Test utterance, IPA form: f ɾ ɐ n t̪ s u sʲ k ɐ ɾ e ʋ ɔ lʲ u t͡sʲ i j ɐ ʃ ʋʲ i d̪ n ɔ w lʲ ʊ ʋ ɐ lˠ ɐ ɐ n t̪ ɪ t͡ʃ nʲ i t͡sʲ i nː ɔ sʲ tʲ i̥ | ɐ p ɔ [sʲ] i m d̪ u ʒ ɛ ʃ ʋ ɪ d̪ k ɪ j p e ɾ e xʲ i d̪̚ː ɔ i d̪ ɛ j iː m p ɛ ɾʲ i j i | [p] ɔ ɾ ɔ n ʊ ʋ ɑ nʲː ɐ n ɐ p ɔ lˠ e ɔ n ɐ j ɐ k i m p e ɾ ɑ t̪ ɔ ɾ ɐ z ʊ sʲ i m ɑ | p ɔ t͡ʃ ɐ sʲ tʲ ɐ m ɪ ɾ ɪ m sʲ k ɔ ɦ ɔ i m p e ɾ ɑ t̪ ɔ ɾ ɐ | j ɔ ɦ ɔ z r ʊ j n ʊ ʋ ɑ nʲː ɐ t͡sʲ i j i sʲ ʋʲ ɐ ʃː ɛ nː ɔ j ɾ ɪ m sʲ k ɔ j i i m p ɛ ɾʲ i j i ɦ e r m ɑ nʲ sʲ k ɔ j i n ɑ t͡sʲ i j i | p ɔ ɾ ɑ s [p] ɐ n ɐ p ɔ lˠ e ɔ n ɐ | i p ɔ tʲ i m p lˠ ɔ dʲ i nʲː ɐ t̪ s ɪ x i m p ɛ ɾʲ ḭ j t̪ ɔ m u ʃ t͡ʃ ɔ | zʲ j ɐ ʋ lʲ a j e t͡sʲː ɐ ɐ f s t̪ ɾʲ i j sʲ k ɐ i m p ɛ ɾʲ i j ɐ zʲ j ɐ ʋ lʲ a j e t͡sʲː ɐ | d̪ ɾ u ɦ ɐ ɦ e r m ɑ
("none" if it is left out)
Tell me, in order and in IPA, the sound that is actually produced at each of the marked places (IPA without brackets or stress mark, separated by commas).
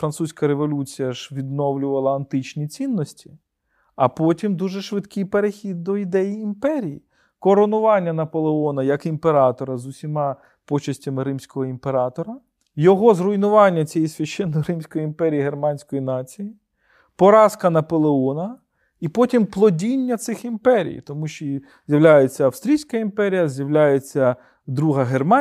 tʲ, k, k